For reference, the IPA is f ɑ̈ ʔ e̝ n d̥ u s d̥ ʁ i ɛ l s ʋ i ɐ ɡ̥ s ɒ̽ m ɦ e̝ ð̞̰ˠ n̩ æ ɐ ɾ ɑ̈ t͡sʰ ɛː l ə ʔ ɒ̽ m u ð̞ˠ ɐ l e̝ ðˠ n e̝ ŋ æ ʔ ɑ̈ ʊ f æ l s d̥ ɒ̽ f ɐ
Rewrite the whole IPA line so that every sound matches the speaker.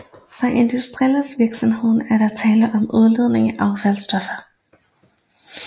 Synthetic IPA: f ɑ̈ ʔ e̝ n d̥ u s d̥ ʁ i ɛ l s ʋ i ɐ ɡ̥ s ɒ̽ m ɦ e̝ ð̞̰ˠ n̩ æ ɐ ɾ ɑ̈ t͡sʰ ɛː l ə ʔ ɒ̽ m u ð̞ˠ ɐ l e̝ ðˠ n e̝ ŋ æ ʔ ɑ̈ ʊ f æ l s d̥ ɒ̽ f ɐ